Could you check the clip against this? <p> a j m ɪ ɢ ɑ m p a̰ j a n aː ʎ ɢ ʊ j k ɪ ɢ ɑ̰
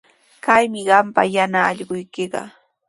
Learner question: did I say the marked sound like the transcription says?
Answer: no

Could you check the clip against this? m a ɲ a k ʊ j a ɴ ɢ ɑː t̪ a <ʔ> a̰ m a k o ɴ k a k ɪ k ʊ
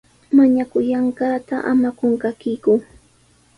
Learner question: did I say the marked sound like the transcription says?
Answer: yes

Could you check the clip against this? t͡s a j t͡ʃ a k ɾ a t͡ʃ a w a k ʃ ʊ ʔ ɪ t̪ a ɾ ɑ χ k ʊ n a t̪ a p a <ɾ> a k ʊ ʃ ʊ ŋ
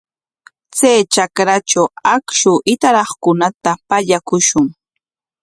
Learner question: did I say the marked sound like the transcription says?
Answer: no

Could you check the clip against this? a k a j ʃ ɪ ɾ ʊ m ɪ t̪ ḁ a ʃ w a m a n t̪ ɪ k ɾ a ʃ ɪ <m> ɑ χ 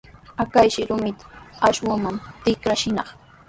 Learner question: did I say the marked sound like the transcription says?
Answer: no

